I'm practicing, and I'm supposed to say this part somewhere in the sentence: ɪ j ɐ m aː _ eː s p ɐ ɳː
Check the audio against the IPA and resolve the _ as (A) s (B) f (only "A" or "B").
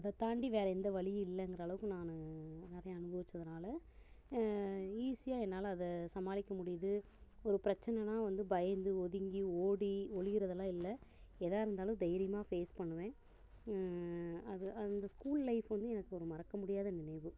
B